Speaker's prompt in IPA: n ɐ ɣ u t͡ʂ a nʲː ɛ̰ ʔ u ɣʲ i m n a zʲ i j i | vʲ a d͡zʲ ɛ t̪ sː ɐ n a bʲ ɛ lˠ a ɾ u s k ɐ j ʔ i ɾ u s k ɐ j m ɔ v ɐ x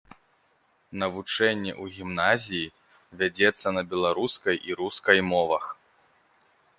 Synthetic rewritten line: n ɐ v u t͡ʂ ɛ nʲː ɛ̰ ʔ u ɣʲ i m n a zʲ i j i | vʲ a d͡zʲ ɛ t̪ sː ɐ n ɐ bʲ ɛ lˠ a ɾ u s k ɐ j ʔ i ɾ u s k ɐ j m ɔ v ɐ x